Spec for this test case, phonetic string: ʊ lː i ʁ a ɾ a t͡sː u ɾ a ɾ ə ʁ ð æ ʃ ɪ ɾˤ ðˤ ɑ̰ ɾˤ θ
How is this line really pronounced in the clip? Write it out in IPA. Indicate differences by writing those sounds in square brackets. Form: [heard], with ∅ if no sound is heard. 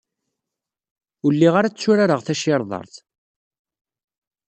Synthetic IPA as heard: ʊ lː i ʁ a ɾ a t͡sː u ɾ a ɾ ə ʁ [θ] æ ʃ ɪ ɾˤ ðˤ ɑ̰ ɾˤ θ